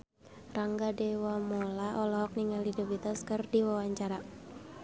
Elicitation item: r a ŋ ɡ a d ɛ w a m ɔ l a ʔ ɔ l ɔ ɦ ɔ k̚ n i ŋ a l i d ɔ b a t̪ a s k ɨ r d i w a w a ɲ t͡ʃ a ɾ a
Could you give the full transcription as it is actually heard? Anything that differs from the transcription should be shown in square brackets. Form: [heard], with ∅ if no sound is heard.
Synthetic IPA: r a ŋ ɡ a d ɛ w a m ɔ l a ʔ ɔ l ɔ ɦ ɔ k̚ n i ŋ a l i d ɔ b [i] t̪ a s k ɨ r d i w a w a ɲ t͡ʃ a ɾ a